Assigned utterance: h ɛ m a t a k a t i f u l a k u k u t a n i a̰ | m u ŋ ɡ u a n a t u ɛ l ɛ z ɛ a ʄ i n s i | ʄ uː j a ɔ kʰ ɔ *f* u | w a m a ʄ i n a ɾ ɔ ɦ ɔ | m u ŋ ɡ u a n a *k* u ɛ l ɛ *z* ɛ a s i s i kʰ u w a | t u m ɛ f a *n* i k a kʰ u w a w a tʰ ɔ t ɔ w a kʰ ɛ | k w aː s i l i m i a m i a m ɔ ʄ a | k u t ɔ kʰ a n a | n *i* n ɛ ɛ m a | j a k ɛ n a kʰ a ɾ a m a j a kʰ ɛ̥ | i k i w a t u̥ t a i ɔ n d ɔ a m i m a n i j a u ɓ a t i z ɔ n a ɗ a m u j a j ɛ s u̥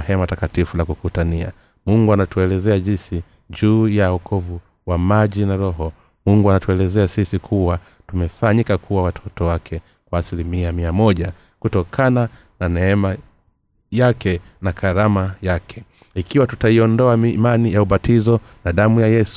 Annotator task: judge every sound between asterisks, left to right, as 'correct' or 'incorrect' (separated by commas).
incorrect, incorrect, correct, incorrect, incorrect